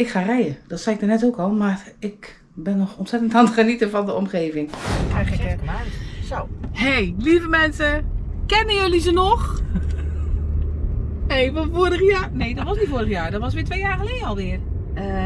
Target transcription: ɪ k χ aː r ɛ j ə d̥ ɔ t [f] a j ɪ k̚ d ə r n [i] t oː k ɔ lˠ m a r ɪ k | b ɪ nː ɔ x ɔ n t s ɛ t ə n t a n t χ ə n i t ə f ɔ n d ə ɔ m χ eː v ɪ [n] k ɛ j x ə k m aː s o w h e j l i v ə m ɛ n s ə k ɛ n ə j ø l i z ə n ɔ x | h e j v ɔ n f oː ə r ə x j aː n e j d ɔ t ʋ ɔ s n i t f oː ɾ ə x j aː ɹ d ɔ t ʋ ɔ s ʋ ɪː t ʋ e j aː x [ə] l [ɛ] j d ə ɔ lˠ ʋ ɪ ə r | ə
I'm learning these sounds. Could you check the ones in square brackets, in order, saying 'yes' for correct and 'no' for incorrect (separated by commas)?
no, no, no, yes, no